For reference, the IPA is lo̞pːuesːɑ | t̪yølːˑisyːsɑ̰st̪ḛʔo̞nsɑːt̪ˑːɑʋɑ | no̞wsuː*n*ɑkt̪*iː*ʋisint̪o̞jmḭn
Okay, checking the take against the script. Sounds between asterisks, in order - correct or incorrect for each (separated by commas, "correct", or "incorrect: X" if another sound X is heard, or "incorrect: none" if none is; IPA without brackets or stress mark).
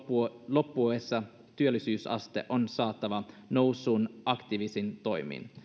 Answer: correct, incorrect: i